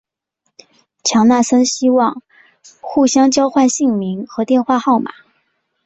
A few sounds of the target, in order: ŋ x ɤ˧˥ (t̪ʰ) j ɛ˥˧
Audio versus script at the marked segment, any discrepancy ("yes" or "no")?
yes